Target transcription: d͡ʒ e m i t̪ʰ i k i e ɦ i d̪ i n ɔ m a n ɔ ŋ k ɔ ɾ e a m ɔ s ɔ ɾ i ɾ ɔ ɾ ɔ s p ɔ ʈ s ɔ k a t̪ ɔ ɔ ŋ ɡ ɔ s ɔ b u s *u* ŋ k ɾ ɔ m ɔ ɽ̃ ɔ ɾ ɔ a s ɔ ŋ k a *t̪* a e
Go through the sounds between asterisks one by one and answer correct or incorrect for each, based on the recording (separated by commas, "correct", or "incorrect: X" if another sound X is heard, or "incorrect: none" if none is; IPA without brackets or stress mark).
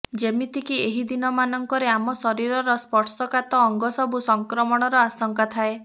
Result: incorrect: ɔ, incorrect: t̪ʰ